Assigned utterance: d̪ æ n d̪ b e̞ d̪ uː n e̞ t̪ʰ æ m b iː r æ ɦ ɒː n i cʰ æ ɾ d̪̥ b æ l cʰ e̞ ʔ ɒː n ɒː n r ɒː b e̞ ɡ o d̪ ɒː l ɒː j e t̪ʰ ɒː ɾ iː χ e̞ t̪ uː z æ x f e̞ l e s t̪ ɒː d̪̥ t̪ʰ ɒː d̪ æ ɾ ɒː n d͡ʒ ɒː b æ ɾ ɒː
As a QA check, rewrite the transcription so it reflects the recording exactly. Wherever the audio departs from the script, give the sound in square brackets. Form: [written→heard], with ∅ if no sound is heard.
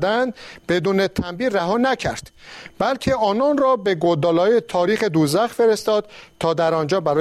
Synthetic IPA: d̪ æ n d̪ b e̞ d̪ uː n e̞ t̪ʰ æ m b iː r æ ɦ ɒː n [i→æ] cʰ æ ɾ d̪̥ b æ l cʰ e̞ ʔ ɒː n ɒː n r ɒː b e̞ ɡ o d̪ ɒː l ɒː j e t̪ʰ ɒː ɾ iː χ e̞ [t̪→d̪] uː z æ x f e̞ [l→ɾ] e s t̪ ɒː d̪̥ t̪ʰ ɒː d̪ æ ɾ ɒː n d͡ʒ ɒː b æ ɾ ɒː